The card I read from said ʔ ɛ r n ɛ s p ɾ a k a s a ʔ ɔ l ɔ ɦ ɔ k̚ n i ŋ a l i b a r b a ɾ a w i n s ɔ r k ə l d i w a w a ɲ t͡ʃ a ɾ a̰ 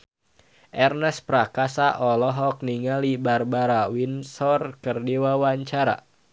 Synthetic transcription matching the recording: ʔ ɛ r n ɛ s p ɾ a k a s a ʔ ɔ l ɔ ɦ ɔ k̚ n i ŋ a l i b a r b a ɾ a w i n s ɔ r k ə r d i w a w a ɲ t͡ʃ a ɾ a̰

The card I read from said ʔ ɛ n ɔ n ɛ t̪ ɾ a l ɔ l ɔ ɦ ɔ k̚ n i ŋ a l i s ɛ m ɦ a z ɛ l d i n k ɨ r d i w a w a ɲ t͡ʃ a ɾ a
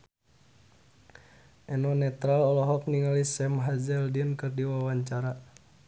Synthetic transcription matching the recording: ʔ ɛ n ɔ n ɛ t̪ ɾ a l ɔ l ɔ ɦ ɔ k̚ n i ŋ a l i s ɛ m ɦ a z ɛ l d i n k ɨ r d i w a w a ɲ t͡ʃ a ɾ a

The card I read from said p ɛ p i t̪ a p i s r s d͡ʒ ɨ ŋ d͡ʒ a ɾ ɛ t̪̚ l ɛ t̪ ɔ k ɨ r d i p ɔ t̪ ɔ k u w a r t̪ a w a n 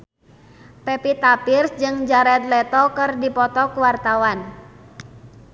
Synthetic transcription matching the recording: p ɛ p i t̪ a p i r s d͡ʒ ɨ ŋ d͡ʒ a ɾ ɛ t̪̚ l ɛ t̪ ɔ k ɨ r d i p ɔ t̪ ɔ k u w a r t̪ a w a n

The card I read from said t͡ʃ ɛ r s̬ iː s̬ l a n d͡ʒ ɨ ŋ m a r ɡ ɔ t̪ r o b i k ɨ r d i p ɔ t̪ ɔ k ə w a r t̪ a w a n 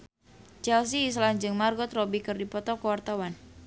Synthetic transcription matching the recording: t͡ʃ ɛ l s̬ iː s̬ l a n d͡ʒ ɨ ŋ m a r ɡ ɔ t̪ r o b i k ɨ r d i p ɔ t̪ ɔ k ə w a r t̪ a w a n

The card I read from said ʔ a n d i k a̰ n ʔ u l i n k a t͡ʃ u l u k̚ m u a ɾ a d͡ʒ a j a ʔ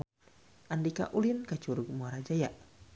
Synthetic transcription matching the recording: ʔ a n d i k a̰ ʔ u l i n k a t͡ʃ u ɾ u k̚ m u a ɾ a d͡ʒ a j a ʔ

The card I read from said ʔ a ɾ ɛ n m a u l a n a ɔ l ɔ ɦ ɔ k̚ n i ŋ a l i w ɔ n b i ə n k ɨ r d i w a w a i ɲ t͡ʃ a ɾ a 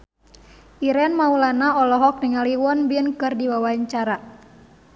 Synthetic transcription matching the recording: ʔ i ɾ ɛ n m a u l a n a ɔ l ɔ ɦ ɔ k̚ n i ŋ a l i w ɔ n b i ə n k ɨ r d i w a w a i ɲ t͡ʃ a ɾ a

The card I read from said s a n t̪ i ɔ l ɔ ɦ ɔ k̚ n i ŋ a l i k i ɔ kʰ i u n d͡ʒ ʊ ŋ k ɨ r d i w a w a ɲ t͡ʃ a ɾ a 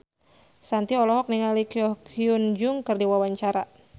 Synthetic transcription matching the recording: s a n t̪ i ɔ l ɔ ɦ ɔ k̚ n i ŋ a l i k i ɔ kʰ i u n d͡ʒ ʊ ŋ k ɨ r d i w a w a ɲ t͡ʃ a ɾ a

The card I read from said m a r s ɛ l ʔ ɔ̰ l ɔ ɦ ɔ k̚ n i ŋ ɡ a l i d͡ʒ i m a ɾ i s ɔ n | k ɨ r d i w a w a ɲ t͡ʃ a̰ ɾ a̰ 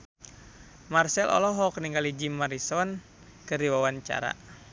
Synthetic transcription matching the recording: m a r s ɛ l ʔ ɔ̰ l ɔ ɦ ɔ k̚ n i ŋ ɡ a l i d͡ʒ i m a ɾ i s ɔ n | k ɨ r d i w a w a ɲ t͡ʃ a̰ ɾ a̰

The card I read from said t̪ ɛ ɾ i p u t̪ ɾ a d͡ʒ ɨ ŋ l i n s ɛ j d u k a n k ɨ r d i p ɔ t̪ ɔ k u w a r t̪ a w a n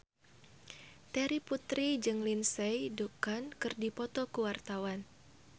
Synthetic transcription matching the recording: t̪ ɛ ɾ i p u t̪ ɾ i d͡ʒ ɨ ŋ l i n s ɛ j d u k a n k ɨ r d i p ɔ t̪ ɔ k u w a r t̪ a w a n

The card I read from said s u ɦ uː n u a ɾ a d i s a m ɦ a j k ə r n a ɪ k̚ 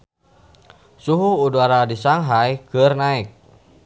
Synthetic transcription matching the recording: s u ɦ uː d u a ɾ a d i s a ŋ ɦ a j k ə r n a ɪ k̚

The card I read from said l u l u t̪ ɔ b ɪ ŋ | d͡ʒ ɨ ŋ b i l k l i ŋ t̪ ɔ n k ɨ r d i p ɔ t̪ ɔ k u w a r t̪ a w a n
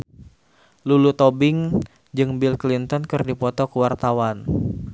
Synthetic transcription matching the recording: l u l u t̪ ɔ b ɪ ŋ | d͡ʒ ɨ ŋ b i l k l i n t̪ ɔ n k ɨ r d i p ɔ t̪ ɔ k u w a r t̪ a w a n

